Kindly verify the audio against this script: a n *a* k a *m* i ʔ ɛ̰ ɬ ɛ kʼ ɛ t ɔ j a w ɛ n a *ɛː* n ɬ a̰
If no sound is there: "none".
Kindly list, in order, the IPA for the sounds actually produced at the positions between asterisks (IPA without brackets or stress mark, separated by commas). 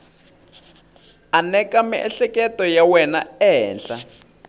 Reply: ɛ, m, ɛː